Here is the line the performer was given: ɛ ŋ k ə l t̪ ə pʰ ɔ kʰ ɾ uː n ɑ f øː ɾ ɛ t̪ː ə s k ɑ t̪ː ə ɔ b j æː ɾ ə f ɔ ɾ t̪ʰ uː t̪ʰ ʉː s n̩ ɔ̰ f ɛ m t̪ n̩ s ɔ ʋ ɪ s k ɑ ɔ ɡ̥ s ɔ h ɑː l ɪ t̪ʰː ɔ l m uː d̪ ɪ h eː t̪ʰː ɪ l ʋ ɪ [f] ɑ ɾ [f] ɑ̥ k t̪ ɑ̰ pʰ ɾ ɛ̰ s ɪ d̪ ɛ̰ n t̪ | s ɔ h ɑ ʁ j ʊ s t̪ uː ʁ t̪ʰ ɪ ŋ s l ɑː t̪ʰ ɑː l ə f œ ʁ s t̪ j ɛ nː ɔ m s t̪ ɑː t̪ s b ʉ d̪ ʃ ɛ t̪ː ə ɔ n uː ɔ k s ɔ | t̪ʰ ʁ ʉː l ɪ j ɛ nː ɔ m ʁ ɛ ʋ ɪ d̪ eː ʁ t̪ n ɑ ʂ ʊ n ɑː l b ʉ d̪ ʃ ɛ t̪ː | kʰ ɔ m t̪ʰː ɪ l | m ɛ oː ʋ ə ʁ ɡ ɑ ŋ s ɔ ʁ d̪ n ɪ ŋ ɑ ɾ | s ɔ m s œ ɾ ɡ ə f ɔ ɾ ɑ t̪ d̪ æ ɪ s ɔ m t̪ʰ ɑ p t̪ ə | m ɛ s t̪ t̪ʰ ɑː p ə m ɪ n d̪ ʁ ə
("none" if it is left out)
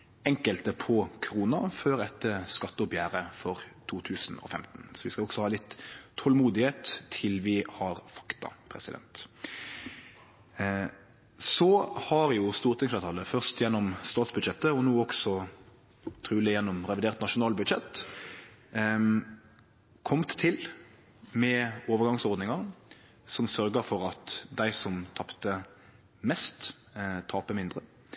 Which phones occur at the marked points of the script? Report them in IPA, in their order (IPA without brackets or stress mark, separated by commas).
h, f